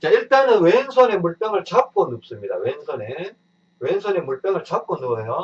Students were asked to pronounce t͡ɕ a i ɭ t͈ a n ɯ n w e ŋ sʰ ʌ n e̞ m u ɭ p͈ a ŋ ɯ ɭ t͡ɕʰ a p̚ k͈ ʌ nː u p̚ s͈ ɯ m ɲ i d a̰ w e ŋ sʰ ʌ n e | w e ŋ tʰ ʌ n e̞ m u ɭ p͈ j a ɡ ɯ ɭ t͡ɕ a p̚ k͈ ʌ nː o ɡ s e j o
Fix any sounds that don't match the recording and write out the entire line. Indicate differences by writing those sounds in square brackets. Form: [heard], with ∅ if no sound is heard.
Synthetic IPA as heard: t͡ɕ a i ɭ t͈ a n ɯ n w e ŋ sʰ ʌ n e̞ m u ɭ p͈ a ŋ ɯ ɭ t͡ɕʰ a p̚ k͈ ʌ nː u p̚ s͈ ɯ m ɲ i d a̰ w e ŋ sʰ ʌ n e | w e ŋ [sʰ] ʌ n e̞ m u ɭ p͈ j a [ŋ] ɯ ɭ t͡ɕ a p̚ k͈ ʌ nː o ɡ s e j o